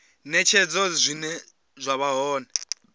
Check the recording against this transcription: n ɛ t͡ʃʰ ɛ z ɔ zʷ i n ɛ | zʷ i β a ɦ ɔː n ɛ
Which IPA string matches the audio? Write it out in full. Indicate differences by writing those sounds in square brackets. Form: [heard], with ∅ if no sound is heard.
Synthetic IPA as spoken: n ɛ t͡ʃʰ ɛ [d͡z] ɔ zʷ i n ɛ | zʷ [a] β a ɦ ɔː n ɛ